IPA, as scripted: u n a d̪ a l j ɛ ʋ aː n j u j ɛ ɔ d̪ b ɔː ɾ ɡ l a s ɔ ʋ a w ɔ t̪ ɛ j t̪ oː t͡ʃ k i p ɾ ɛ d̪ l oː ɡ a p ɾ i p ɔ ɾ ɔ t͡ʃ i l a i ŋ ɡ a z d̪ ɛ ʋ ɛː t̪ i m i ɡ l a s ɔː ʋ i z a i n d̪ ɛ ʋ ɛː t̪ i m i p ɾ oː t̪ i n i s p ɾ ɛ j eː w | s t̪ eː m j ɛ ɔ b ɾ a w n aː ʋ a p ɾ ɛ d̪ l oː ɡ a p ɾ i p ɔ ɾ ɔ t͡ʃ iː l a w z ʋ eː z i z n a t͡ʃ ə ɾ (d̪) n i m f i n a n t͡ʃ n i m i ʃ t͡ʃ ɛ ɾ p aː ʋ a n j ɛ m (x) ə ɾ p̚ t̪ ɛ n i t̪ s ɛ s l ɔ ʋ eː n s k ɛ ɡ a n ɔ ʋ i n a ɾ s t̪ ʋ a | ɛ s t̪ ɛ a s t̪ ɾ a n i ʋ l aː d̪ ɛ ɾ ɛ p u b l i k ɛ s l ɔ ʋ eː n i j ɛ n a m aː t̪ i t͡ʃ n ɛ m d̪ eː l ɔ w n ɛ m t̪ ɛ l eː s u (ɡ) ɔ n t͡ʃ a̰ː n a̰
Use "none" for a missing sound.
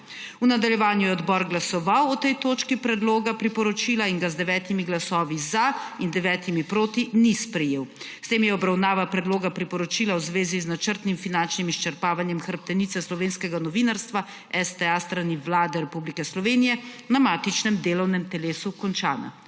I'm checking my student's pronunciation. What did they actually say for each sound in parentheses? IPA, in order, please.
t̪, x, k

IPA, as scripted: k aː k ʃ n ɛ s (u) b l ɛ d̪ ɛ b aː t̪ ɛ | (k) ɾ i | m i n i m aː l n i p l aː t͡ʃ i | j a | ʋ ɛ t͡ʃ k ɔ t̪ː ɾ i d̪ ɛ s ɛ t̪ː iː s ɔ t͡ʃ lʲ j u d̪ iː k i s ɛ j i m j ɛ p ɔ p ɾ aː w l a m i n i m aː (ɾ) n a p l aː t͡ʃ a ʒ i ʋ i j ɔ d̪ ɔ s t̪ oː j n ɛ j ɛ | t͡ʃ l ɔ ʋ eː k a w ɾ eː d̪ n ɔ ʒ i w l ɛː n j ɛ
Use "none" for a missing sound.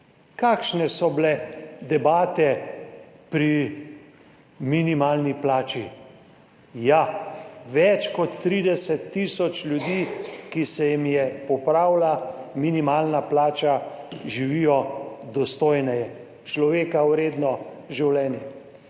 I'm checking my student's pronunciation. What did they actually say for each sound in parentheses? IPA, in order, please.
ɔ, p, l

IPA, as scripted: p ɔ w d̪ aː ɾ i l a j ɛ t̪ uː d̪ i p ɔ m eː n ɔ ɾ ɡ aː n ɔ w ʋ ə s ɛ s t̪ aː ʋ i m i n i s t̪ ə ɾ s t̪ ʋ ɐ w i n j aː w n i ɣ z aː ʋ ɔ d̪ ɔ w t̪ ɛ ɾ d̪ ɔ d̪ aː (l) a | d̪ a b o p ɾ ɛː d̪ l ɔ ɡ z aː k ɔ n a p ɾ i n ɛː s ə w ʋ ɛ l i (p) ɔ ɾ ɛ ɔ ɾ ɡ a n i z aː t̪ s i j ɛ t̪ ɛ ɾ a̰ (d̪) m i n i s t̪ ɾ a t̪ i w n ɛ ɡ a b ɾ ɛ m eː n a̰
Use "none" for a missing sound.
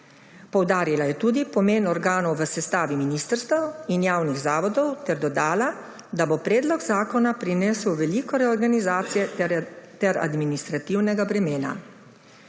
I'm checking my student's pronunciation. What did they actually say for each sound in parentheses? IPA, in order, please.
l, k, d̪

